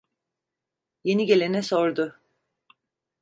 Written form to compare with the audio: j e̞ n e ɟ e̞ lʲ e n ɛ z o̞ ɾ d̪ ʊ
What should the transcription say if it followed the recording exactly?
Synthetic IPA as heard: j e̞ n i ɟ e̞ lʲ e n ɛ s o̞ ɾ d̪ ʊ